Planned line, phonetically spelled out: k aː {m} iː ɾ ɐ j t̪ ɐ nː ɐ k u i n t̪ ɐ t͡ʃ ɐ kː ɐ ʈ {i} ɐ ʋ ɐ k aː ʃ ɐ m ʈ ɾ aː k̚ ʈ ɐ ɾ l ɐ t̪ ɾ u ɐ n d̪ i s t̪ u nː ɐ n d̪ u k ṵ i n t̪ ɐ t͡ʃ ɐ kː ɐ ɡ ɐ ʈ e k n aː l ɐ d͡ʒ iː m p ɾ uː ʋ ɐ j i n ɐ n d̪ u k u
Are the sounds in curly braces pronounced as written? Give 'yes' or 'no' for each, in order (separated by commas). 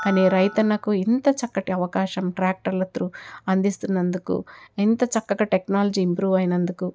no, yes